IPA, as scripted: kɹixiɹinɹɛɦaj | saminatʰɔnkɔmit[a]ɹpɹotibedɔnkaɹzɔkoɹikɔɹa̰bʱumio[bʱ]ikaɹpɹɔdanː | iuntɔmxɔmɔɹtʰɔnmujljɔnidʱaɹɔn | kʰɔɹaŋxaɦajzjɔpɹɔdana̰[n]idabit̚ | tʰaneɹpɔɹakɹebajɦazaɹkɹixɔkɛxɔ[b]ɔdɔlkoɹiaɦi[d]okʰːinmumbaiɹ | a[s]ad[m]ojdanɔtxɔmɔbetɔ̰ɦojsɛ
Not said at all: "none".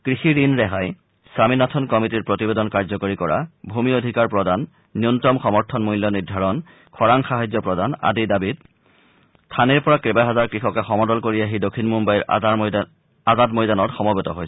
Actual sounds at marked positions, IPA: i, dʱ, d, m, d, z, m

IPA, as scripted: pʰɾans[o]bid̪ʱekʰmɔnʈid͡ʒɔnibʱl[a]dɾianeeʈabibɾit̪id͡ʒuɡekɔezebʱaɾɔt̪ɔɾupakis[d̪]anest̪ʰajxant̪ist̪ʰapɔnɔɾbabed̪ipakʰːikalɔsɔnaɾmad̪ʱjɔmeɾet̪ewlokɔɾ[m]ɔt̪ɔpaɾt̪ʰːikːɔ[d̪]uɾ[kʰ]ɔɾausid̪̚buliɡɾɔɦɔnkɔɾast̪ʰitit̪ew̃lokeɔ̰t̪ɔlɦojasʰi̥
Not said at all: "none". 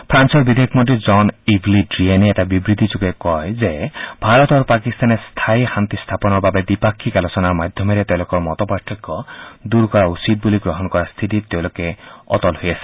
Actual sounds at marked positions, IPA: ɔ, i, t̪, m, d̪, k

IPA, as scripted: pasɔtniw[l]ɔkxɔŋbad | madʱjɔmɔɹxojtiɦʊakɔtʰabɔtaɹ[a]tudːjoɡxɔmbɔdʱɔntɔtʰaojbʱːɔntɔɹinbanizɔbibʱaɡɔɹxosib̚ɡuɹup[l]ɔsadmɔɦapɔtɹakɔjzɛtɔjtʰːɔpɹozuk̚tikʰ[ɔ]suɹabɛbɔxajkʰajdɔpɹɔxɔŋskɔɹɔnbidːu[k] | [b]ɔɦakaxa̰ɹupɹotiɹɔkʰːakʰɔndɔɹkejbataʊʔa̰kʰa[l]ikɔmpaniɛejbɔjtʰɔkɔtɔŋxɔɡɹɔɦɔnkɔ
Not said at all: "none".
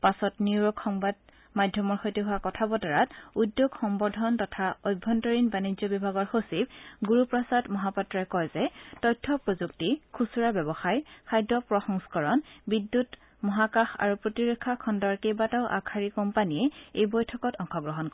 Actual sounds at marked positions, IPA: ɹ, a, ɹ, u, t, m, ɹ

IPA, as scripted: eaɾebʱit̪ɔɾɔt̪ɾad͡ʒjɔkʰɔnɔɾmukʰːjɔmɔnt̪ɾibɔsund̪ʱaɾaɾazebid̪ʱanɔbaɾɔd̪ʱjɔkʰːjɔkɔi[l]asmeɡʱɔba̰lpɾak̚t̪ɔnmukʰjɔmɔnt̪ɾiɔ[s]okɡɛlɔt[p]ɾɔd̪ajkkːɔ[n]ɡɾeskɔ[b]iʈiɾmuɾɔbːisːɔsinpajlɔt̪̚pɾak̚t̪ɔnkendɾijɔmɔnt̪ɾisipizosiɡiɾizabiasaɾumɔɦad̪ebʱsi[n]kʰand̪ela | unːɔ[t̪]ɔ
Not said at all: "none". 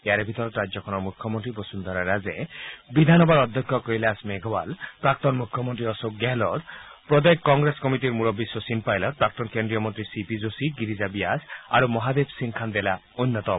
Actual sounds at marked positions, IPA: l, s, p, ŋ, m, ŋ, t̪

